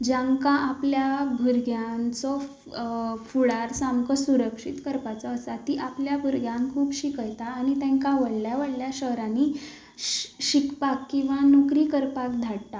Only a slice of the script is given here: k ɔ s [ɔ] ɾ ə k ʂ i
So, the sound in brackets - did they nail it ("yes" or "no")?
no